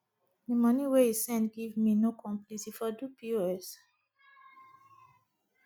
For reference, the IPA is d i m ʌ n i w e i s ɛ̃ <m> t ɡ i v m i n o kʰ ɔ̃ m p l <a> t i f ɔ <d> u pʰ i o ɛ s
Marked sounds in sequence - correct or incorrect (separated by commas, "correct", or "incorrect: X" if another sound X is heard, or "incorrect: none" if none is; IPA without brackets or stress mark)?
incorrect: n, incorrect: i, correct